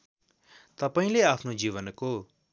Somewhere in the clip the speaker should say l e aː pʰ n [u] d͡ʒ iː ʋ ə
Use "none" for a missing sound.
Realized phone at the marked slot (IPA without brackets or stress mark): o